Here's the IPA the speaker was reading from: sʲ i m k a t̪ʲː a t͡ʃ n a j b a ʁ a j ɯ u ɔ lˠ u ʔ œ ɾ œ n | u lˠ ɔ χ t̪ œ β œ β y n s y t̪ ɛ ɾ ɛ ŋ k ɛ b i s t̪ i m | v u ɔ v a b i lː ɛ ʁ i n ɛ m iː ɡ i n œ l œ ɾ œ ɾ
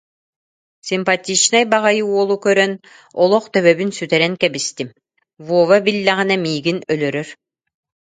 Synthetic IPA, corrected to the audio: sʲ i m p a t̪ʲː i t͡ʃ n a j b a ʁ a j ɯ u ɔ lˠ u k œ ɾ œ n | ɔ lˠ ɔ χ t̪ œ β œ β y n s y t̪ ɛ ɾ ɛ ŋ k ɛ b i s t̪ i m | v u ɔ v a b i lː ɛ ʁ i n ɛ m iː ɡ i n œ l œ ɾ œ ɾ

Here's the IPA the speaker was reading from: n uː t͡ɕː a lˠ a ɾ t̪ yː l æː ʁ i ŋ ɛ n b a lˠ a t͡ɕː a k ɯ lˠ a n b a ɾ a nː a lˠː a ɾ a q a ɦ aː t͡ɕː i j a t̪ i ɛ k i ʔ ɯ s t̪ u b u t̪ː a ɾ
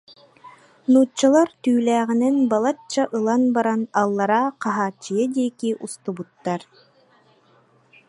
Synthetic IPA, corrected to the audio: n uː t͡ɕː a lˠ a ɾ t̪ yː l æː ʁ i n ɛ n b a lˠ a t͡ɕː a ʔ ɯ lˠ a n b a ɾ a n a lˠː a ɾ a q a ɦ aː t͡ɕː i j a d̪ i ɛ k i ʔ u s t̪ u b u t̪ː a ɾ

